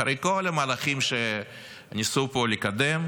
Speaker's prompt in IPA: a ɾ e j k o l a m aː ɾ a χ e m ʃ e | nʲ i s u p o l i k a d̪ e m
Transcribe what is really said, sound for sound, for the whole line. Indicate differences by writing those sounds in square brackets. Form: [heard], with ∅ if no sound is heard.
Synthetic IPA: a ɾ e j k o l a m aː [l] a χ [i] m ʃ e | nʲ i s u p o l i k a d̪ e m